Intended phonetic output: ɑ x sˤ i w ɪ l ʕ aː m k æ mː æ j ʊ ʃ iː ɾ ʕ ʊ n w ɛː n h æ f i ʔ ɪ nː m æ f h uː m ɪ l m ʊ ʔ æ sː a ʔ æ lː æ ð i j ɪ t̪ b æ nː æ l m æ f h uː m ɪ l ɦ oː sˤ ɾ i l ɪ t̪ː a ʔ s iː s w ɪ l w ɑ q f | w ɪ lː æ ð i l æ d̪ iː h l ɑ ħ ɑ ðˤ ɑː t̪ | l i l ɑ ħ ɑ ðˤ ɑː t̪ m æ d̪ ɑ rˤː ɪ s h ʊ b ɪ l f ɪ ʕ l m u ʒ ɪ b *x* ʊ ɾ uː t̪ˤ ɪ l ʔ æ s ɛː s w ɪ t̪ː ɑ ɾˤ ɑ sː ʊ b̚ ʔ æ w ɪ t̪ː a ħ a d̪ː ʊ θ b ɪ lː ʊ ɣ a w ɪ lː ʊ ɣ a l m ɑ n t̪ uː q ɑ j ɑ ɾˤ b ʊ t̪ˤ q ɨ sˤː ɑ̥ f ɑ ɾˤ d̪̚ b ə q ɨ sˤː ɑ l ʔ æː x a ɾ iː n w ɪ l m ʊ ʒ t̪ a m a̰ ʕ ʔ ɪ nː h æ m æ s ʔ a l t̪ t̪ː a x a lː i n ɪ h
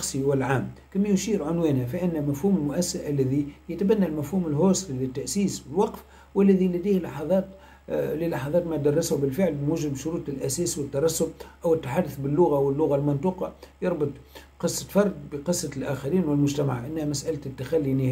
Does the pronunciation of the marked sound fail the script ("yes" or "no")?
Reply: yes